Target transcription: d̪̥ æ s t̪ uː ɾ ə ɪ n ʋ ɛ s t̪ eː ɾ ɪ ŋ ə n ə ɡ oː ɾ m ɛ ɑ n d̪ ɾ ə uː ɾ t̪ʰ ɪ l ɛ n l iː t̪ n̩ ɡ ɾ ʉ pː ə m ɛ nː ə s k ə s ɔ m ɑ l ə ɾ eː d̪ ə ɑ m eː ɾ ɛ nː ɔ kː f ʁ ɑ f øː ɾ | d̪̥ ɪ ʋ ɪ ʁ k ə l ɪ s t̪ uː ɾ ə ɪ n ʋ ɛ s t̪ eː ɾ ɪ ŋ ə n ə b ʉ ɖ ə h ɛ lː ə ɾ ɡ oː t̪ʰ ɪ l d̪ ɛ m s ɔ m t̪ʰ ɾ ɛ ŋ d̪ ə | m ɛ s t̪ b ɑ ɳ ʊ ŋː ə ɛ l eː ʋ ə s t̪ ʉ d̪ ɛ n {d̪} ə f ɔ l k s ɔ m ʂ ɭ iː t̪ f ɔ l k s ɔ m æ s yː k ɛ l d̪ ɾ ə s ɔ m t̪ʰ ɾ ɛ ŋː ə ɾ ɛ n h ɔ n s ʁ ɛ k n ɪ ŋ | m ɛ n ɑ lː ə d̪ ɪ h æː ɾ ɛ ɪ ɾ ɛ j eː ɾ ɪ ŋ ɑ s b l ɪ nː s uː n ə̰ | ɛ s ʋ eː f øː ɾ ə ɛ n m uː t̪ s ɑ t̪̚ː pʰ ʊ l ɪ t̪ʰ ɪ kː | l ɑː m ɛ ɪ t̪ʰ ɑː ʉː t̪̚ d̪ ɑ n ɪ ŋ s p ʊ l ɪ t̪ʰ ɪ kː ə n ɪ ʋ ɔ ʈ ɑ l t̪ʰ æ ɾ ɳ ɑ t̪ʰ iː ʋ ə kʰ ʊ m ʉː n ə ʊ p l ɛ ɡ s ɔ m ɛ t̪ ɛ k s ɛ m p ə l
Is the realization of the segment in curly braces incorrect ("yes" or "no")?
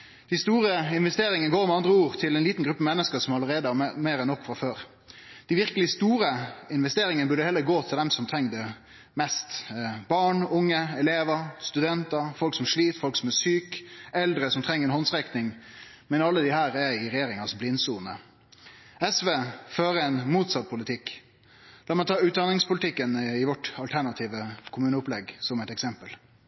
yes